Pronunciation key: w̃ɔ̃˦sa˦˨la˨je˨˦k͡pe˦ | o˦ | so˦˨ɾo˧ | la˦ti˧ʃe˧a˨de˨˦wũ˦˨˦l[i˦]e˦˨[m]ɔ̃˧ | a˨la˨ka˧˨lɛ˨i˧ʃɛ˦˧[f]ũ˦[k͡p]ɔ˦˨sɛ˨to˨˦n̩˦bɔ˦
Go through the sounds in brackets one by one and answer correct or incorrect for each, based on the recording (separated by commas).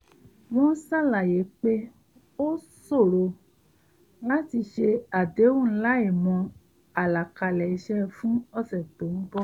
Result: incorrect, correct, correct, incorrect